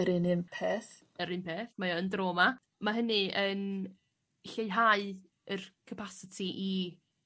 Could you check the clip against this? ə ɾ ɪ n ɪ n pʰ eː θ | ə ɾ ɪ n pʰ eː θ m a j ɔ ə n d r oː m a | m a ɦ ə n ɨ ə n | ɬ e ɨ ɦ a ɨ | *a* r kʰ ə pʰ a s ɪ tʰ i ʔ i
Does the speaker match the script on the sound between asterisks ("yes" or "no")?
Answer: no